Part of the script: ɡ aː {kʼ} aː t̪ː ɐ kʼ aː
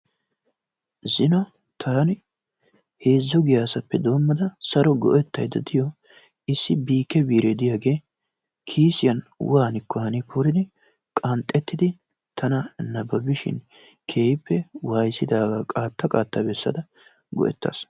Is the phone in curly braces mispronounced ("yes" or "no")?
no